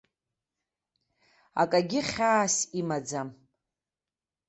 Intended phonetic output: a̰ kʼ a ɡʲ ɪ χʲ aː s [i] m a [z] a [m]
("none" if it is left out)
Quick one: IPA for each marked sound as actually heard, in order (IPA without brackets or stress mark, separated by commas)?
i, d͡z, m